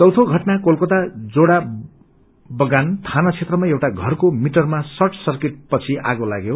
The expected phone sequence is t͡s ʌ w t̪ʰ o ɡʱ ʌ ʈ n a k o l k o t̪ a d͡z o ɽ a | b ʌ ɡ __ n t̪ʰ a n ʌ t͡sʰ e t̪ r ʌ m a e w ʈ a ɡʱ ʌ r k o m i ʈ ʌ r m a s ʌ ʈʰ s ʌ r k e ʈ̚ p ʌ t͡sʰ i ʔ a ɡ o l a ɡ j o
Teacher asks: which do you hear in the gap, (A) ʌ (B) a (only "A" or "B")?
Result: B